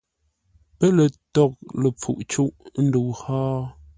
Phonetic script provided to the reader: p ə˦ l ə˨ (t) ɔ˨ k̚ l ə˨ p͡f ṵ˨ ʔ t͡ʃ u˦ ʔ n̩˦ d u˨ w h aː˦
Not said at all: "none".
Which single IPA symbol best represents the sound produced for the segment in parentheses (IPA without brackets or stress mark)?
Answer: t